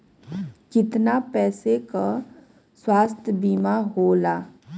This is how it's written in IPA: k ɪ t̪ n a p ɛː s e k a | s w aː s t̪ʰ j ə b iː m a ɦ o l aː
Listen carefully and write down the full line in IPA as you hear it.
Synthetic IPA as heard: k ɪ t̪ n a p ɛː s e k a | s w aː s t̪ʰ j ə b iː m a ɦ o l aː